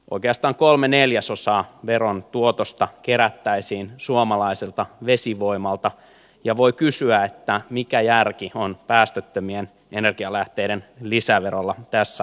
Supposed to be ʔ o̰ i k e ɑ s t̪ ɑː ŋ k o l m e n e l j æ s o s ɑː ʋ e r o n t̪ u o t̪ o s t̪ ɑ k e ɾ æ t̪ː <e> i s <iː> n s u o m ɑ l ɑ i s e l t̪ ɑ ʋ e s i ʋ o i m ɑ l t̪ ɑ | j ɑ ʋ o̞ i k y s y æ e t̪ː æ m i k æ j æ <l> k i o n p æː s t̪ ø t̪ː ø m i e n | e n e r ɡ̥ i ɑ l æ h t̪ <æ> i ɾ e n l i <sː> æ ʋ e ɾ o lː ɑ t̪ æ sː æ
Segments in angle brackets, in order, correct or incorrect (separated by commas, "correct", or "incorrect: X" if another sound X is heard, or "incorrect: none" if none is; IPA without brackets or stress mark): incorrect: æ, correct, incorrect: r, incorrect: e, incorrect: s